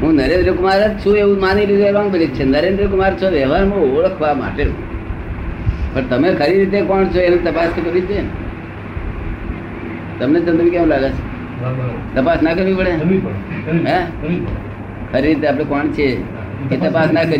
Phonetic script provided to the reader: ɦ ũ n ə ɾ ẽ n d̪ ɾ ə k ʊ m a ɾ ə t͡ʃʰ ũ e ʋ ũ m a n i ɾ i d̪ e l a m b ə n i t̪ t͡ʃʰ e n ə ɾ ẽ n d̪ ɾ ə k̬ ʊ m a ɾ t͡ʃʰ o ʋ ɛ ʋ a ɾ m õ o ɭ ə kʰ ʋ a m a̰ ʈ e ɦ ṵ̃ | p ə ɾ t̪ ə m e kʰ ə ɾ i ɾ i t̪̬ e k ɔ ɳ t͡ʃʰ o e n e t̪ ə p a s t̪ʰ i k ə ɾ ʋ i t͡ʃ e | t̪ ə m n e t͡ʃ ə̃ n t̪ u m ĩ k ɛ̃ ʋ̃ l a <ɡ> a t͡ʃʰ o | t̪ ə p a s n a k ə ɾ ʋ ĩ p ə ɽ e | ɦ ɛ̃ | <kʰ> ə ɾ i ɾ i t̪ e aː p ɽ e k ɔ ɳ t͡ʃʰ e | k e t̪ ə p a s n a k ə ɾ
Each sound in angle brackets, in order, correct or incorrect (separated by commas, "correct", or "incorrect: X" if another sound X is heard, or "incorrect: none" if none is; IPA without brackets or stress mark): correct, correct